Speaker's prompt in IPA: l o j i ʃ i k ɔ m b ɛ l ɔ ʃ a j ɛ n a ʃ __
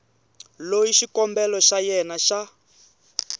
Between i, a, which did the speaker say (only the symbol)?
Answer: a